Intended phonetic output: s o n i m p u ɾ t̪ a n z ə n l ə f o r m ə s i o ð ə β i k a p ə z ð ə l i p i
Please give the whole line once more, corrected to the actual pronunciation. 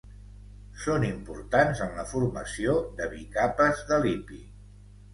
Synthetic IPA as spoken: s o n i m p u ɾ t̪ a n z ə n l ə f u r m ə s i o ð ə β i k a p ə z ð ə l i p i